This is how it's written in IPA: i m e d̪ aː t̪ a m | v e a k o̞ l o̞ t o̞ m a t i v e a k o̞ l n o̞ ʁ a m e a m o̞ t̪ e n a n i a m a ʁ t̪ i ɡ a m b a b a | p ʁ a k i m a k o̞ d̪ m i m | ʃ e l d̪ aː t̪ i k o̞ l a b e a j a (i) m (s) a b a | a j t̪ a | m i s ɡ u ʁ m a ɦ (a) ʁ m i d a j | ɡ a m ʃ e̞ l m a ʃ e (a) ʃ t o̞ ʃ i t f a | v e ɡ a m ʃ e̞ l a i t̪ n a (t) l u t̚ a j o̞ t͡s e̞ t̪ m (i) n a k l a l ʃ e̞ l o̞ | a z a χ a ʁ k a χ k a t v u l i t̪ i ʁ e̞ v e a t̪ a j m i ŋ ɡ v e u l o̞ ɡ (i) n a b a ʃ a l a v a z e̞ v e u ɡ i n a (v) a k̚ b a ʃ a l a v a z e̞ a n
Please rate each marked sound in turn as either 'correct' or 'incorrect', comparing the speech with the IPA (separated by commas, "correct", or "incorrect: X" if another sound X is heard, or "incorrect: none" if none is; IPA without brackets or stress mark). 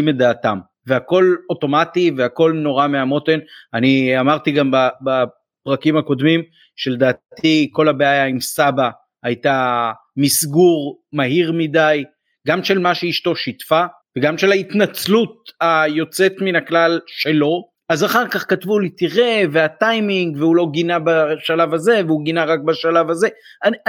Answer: correct, correct, incorrect: i, incorrect: i, incorrect: t͡s, correct, correct, incorrect: ʁ